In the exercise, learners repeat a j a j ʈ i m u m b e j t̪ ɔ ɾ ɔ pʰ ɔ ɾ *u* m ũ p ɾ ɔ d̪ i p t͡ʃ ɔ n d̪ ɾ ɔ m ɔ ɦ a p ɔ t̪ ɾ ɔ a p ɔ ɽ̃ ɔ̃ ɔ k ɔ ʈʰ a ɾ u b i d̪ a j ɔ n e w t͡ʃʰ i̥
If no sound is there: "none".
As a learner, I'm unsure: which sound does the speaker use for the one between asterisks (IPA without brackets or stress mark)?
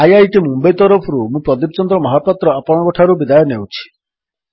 u